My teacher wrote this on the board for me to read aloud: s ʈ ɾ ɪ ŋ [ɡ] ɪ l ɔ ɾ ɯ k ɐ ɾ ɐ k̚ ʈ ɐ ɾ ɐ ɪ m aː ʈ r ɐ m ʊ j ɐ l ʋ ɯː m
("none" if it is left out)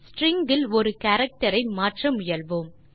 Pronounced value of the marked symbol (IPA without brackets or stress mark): ɡ